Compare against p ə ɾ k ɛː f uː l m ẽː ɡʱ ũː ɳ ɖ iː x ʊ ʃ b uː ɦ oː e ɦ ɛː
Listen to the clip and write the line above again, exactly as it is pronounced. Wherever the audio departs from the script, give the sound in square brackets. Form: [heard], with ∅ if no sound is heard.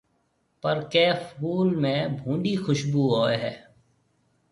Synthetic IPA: p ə ɾ k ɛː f uː l m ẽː [bʱ] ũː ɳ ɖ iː x ʊ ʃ b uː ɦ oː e ɦ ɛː